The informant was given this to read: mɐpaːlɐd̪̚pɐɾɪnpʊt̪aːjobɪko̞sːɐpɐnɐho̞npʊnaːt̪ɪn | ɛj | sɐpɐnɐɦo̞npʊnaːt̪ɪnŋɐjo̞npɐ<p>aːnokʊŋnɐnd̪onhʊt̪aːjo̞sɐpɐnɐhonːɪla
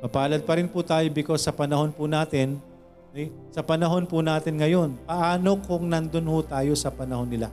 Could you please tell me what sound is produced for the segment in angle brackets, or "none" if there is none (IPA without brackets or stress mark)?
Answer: ʔ